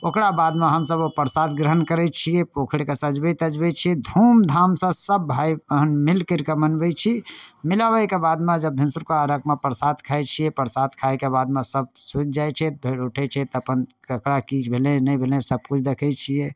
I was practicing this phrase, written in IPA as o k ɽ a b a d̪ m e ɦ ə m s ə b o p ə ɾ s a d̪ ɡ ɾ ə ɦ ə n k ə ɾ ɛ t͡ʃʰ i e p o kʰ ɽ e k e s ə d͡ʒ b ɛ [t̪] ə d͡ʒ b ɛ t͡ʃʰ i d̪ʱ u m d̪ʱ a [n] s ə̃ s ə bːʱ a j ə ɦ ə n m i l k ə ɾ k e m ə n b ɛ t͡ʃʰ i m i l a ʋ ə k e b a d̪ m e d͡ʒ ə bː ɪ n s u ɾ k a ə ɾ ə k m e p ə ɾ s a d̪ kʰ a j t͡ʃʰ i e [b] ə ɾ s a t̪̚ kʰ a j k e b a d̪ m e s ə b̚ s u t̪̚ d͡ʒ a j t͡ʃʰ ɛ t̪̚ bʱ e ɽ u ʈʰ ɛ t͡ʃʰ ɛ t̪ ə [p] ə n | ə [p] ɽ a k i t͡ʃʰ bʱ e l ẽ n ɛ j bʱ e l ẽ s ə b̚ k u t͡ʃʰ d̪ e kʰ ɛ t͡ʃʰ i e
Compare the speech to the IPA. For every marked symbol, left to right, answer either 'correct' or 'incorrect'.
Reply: correct, incorrect, incorrect, correct, incorrect

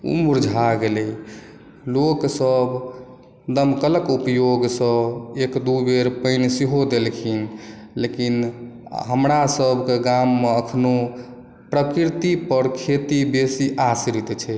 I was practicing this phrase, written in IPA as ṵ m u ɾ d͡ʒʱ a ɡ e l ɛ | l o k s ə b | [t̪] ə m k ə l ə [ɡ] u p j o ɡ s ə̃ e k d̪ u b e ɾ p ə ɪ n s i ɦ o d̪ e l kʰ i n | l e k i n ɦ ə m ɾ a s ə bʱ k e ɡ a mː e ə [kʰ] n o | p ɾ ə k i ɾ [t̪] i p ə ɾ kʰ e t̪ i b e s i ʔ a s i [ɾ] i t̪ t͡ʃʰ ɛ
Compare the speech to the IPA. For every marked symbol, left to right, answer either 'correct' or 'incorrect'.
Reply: incorrect, incorrect, correct, correct, correct

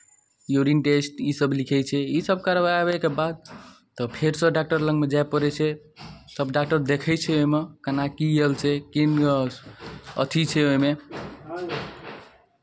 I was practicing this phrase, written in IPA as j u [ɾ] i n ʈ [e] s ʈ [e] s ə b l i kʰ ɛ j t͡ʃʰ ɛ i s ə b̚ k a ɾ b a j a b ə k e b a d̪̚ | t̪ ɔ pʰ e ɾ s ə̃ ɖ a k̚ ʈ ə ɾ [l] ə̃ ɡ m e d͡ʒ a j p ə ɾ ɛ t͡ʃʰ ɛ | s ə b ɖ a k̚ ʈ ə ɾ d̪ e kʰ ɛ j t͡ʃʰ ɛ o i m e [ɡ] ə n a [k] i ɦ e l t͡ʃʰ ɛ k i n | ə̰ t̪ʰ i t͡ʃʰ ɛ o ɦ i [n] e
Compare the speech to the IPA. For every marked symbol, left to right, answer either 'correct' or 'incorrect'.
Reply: correct, correct, incorrect, correct, incorrect, correct, incorrect

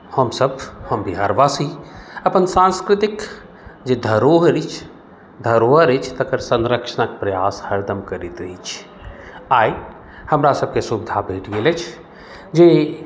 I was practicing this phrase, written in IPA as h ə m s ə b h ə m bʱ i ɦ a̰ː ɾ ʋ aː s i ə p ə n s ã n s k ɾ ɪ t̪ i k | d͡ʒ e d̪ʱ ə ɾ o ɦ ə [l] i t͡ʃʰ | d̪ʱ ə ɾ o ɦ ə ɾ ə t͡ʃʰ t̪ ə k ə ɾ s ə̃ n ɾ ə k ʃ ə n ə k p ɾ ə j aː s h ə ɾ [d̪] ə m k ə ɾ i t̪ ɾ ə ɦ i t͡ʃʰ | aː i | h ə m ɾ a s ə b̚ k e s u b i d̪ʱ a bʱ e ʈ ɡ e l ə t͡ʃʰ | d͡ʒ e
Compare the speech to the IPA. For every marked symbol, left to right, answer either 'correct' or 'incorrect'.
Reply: incorrect, correct

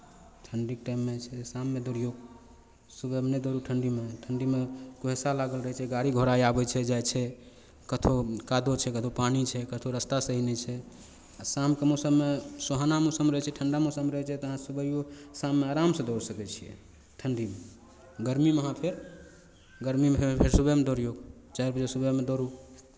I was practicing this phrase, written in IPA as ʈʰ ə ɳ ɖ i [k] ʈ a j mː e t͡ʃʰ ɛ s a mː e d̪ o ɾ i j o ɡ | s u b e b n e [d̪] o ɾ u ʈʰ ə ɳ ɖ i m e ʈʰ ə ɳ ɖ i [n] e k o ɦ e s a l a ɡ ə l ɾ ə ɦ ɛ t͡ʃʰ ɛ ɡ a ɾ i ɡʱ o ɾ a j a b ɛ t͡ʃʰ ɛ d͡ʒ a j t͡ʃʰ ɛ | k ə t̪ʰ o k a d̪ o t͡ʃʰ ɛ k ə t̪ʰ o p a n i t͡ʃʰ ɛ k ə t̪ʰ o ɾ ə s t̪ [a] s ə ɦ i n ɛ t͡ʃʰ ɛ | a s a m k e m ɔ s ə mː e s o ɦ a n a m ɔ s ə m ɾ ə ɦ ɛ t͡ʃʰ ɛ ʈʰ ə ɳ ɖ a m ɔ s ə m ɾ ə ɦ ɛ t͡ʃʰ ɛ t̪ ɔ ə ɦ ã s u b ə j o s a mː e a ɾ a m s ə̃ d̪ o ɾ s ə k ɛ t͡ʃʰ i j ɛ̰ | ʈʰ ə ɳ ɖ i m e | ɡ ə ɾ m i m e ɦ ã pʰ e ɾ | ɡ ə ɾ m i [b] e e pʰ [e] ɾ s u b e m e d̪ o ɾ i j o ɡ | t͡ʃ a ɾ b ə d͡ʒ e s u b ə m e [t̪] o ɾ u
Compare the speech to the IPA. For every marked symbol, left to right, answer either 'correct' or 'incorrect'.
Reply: correct, correct, incorrect, correct, incorrect, correct, incorrect

